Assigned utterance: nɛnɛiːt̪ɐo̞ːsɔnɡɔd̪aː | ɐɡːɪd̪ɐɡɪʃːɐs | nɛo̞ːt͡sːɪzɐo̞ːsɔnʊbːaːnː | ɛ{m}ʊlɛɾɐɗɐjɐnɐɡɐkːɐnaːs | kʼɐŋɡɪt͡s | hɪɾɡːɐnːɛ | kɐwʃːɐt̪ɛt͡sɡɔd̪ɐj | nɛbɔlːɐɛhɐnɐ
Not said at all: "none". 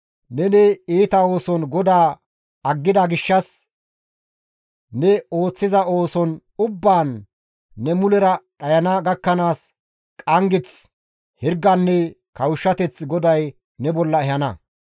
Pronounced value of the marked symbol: m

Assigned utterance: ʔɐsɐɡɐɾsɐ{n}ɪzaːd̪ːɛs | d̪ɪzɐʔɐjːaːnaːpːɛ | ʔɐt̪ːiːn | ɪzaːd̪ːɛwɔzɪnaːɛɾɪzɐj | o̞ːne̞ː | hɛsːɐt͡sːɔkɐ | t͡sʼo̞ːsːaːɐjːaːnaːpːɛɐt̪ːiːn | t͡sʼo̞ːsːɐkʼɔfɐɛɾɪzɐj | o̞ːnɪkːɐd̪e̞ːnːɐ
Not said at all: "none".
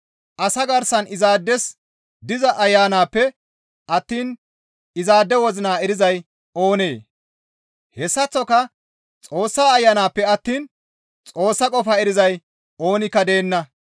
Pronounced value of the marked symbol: n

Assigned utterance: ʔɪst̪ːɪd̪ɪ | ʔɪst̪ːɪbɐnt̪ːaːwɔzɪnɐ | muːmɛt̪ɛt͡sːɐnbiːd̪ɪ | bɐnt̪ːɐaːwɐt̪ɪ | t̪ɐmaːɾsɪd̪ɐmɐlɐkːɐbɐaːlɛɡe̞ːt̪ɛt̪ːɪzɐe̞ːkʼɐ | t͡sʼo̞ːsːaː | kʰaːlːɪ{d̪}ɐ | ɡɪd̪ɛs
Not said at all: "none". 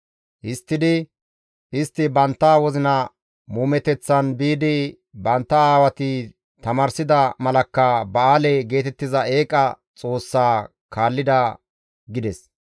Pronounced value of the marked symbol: d̪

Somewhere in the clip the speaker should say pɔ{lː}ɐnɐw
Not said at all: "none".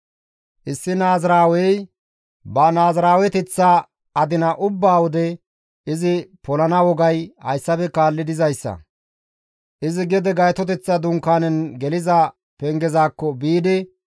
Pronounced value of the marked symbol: l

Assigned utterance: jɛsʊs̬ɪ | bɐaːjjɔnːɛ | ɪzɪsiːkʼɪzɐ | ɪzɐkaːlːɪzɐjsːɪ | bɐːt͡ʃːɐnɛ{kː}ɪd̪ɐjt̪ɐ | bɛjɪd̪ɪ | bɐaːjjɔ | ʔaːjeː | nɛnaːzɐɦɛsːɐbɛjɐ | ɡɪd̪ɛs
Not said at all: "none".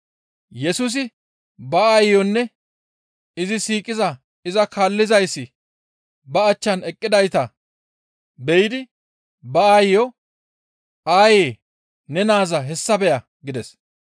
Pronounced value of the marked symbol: kʼː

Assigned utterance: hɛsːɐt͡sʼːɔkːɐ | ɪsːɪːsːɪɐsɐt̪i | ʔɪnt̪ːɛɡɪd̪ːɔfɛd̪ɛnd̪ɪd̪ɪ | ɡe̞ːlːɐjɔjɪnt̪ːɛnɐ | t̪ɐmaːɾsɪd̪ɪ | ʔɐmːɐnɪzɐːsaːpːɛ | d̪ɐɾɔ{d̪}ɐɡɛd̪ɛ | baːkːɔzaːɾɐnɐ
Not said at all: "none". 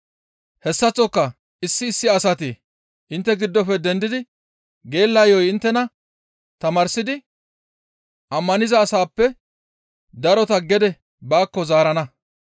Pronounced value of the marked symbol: t̪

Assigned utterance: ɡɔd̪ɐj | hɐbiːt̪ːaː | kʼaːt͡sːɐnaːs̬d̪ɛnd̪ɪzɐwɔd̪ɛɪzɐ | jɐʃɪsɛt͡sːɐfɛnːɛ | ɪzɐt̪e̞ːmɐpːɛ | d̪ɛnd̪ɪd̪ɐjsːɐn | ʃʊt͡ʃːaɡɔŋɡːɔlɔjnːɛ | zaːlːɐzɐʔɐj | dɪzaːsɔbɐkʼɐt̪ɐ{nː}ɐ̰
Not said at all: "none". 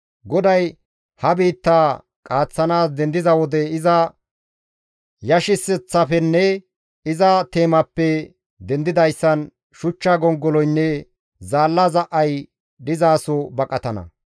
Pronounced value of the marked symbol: n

